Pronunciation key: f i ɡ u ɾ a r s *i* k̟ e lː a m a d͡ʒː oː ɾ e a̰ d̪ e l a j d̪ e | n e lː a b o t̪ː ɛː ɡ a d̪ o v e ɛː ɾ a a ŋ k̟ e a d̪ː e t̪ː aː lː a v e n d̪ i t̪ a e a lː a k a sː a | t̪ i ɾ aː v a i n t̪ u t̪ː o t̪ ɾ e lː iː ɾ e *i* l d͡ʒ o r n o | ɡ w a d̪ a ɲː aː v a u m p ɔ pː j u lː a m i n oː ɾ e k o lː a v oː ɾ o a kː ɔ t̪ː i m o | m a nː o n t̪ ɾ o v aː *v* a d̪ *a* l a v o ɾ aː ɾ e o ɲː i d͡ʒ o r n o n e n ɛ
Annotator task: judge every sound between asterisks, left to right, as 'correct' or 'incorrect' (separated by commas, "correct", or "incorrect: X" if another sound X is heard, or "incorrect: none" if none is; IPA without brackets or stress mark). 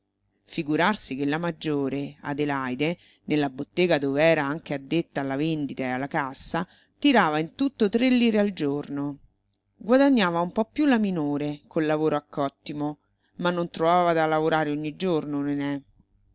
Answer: correct, incorrect: a, correct, correct